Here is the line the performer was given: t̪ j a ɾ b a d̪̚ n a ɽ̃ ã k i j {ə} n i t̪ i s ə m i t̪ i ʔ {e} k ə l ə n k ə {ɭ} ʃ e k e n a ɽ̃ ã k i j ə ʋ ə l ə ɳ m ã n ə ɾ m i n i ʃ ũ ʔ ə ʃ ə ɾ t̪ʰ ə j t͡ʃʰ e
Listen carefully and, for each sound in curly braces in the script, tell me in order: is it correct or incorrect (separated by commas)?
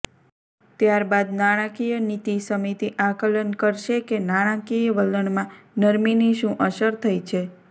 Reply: correct, incorrect, incorrect